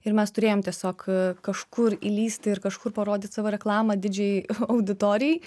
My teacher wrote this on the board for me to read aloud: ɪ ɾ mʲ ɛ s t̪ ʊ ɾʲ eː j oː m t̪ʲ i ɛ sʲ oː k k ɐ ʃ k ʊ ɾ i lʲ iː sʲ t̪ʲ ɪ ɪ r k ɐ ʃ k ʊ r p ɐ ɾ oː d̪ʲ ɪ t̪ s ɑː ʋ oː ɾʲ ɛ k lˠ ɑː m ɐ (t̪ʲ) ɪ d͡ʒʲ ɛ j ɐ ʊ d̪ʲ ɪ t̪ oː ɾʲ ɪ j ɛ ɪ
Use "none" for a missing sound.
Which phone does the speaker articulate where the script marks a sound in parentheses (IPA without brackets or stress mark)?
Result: d̪ʲ